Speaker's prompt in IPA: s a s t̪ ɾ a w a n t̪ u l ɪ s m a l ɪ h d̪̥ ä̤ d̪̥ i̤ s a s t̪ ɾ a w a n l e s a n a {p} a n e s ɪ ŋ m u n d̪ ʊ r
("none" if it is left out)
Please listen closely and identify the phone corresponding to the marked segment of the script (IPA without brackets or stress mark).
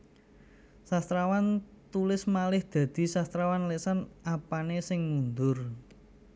p